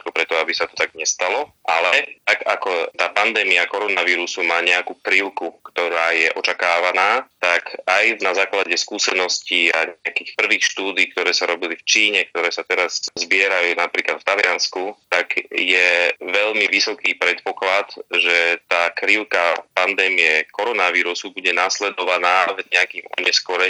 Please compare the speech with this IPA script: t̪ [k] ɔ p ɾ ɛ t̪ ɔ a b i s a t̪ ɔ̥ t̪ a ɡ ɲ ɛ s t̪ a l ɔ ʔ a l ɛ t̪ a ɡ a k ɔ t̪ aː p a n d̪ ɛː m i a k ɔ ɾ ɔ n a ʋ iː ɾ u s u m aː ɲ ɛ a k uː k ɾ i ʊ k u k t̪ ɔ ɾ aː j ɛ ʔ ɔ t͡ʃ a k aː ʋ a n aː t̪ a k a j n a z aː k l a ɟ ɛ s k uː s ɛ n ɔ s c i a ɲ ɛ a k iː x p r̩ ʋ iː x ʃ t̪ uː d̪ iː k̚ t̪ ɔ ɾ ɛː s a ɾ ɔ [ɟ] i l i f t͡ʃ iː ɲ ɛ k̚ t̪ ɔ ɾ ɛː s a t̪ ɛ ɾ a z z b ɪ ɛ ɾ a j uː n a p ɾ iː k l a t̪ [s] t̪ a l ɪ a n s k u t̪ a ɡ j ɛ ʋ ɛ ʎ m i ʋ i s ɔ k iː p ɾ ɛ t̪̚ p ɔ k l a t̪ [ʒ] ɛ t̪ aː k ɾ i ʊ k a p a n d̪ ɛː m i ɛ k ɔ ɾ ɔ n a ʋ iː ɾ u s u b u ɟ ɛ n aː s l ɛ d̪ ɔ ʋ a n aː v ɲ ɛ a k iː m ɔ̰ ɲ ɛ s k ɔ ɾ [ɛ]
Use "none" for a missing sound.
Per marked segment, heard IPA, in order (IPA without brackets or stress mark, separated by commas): k, b, f, ʒ, ɛ